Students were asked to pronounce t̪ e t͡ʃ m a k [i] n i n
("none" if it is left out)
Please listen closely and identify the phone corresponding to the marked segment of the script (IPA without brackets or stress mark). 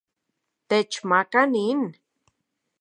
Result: a